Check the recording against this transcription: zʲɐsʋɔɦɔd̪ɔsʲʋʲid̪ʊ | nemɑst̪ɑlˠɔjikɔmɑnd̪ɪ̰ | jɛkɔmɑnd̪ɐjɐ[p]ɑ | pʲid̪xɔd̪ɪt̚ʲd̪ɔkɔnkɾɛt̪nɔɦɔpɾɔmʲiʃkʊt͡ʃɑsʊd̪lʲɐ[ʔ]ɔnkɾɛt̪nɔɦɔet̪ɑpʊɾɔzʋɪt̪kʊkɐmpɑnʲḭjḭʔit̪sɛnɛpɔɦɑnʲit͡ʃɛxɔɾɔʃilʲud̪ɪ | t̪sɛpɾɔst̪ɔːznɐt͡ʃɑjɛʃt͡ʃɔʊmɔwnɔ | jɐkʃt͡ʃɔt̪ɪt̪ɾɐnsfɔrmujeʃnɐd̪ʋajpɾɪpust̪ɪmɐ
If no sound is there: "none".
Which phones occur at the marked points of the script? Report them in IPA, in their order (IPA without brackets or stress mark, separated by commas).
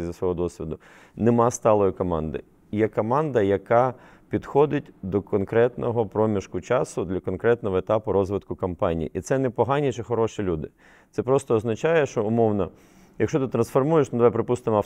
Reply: k, k